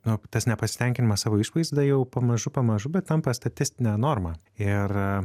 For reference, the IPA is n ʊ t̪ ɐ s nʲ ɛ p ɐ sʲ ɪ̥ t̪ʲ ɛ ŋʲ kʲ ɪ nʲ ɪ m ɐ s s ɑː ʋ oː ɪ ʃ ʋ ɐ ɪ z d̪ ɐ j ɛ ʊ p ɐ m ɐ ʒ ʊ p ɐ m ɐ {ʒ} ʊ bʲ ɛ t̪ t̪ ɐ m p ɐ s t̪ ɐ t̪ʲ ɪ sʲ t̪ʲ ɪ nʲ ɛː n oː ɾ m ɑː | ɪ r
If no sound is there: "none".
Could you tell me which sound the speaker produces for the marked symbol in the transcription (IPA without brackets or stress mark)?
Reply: ʒ